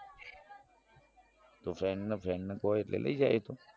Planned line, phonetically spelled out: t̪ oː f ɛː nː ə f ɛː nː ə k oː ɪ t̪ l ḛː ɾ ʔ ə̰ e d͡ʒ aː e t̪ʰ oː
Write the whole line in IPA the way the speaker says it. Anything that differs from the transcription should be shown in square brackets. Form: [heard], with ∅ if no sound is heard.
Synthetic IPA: t̪ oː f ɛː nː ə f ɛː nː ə k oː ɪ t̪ l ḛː [l] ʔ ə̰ [i] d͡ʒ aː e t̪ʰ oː